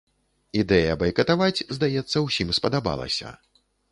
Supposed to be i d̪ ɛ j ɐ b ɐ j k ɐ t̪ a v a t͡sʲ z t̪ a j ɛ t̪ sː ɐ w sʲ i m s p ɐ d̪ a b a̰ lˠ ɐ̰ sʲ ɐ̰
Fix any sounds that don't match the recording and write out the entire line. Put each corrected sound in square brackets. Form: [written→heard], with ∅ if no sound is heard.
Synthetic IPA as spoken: i d̪ ɛ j ɐ b ɐ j k ɐ t̪ a v a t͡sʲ z [t̪→d̪] a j ɛ t̪ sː ɐ w sʲ i m s p ɐ d̪ a b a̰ lˠ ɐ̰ sʲ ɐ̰